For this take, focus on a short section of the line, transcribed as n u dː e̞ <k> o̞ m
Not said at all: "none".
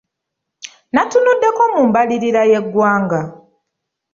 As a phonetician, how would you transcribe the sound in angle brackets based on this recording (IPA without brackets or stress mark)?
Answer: k